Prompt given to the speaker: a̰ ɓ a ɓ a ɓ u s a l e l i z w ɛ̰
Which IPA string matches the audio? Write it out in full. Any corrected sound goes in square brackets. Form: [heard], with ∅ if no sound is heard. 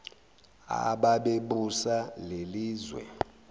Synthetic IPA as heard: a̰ ɓ a ɓ [e] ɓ u s a l e l [iː] z w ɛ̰